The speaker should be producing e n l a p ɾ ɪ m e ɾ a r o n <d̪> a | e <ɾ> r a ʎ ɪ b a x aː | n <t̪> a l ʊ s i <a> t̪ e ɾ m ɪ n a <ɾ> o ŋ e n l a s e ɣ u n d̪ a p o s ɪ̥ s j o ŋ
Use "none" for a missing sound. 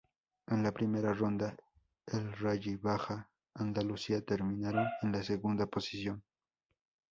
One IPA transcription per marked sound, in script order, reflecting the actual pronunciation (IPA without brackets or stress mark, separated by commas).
d̪, l, d̪, a, ɾ